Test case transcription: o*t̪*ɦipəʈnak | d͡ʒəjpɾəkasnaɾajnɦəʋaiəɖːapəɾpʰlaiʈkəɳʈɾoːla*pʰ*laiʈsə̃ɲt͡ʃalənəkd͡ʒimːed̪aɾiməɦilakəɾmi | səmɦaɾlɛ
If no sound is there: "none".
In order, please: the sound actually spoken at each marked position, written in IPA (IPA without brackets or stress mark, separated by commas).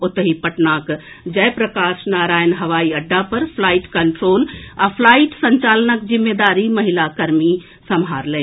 t̪, pʰ